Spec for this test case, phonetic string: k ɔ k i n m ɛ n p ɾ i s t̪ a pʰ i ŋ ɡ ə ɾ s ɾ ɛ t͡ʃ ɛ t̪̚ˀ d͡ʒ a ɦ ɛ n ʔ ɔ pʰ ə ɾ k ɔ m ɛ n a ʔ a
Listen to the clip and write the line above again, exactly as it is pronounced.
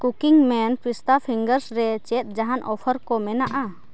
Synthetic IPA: k u k i ŋ m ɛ n p ɾ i s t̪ a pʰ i ŋ ɡ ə ɾ s ɾ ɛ t͡ʃ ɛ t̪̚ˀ d͡ʒ a ɦ a n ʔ ɔ pʰ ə ɾ k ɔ m ɛ n a ʔ a

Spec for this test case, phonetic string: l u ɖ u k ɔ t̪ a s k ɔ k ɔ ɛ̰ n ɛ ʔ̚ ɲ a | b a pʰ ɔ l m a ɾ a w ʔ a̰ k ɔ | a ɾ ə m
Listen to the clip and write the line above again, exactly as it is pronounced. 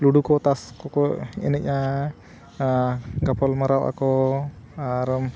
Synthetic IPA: l u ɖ u k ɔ t̪ a s k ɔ k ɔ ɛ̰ n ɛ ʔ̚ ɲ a | ɡ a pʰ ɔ l m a ɾ a w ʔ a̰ k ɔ | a ɾ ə m

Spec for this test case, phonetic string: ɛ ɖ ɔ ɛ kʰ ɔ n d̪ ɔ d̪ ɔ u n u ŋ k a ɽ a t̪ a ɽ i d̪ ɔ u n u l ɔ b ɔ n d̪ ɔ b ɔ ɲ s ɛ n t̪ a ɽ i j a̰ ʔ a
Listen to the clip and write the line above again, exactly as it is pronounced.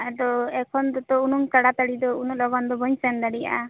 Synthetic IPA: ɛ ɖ ɔ ɛ kʰ ɔ n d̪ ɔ t̪ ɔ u n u ŋ k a ɽ a t̪ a ɽ i d̪ ɔ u n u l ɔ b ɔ n d̪ ɔ b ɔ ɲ s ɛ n d̪ a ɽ i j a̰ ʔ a

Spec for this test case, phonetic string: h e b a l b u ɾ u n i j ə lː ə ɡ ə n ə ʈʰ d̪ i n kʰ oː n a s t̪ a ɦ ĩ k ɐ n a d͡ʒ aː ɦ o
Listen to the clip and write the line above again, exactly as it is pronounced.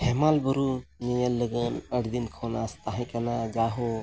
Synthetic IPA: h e m a l b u ɾ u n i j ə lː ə ɡ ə n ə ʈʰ d̪ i n kʰ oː n a s t̪ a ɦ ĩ k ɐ n a d͡ʒ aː ɦ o

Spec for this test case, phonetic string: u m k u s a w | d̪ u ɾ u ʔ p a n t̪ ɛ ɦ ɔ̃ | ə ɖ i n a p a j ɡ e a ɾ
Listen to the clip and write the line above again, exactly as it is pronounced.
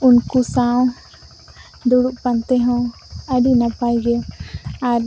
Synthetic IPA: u n k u s a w | d̪ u ɽ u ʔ p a n t̪ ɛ ɦ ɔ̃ | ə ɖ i n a p a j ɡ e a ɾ

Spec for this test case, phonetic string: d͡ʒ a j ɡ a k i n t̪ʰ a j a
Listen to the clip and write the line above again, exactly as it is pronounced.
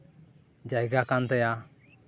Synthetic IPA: d͡ʒ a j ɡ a k a n t̪ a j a

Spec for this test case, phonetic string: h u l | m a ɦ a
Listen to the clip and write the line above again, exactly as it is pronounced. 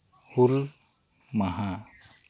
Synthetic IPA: h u l | m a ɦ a

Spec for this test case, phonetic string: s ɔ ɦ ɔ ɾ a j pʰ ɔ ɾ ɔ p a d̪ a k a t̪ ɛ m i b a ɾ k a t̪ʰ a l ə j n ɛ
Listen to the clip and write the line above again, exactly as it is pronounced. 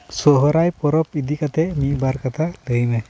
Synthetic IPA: s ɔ ɦ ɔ ɾ a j p ɔ ɾ ɔ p i d̪ i k a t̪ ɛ m i b a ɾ k a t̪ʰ a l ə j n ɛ

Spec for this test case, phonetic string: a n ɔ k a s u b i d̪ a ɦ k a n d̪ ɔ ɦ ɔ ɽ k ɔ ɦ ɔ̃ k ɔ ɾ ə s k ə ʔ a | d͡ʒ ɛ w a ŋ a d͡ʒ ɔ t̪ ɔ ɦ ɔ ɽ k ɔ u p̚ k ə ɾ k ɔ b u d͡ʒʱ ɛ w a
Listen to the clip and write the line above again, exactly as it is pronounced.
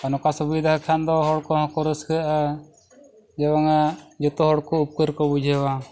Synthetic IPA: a n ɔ k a s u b i d̪ a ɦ kʰ a n d̪ ɔ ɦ ɔ ɽ k ɔ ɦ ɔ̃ k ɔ ɾ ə s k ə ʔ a | d͡ʒ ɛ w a ŋ a d͡ʒ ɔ t̪ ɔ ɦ ɔ ɽ k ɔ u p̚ k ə ɾ k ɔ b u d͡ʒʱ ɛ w a

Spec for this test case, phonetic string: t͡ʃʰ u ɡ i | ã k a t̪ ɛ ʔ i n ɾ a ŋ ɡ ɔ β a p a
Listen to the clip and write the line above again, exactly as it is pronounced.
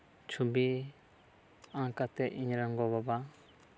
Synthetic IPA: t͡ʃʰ u b i | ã k a t̪ ɛ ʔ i ɲ ɾ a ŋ ɡ ɔ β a b a

